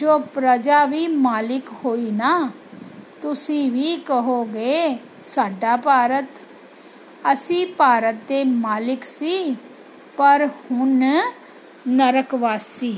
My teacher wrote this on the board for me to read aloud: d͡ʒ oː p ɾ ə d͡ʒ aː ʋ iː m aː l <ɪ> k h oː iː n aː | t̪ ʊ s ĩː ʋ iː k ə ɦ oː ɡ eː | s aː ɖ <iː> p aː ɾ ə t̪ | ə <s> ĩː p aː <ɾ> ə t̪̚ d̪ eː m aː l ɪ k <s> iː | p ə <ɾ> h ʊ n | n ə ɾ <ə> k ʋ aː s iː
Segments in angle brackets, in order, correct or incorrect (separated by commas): correct, incorrect, correct, correct, correct, correct, correct